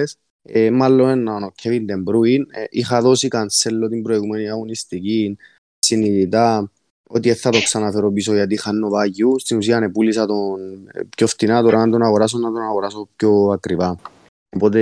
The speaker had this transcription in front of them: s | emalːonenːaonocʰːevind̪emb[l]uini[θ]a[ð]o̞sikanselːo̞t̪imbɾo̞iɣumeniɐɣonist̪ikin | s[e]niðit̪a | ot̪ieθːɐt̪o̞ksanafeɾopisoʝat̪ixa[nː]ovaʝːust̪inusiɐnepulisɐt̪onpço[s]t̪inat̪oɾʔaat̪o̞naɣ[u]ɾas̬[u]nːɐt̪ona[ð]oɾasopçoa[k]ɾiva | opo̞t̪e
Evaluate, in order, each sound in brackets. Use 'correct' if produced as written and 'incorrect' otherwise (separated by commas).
incorrect, incorrect, correct, incorrect, correct, incorrect, incorrect, incorrect, incorrect, correct